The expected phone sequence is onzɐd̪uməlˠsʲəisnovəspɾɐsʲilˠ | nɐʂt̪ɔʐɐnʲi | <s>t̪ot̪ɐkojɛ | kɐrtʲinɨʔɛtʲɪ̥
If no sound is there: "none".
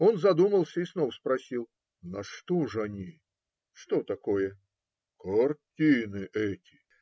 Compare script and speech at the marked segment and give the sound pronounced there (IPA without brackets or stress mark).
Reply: ʂ